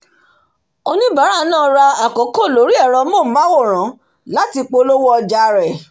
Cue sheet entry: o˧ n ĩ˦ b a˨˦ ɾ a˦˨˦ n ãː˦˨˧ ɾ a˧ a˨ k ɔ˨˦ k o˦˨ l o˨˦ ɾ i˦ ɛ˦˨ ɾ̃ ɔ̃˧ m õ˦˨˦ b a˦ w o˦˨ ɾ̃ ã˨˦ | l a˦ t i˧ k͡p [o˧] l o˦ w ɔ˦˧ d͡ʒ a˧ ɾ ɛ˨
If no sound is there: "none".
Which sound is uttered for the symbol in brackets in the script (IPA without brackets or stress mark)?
o˧